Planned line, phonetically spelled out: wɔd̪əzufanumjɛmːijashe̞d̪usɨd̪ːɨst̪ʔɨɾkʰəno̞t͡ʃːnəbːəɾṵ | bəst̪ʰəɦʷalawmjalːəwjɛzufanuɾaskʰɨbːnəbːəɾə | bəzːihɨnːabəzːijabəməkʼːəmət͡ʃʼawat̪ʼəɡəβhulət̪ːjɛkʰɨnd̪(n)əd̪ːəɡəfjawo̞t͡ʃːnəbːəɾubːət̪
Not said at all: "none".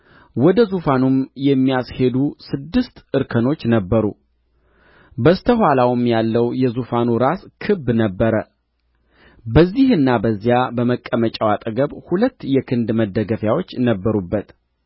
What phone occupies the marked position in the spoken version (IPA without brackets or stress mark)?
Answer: m